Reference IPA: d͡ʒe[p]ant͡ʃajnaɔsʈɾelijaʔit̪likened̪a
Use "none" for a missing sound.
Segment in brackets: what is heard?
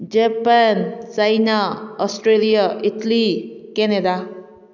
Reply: p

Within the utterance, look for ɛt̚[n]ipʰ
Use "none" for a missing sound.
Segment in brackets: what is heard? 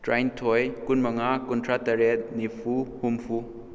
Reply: n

